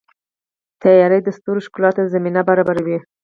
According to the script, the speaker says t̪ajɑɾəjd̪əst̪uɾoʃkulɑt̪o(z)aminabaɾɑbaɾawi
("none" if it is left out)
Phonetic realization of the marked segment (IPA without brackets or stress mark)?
z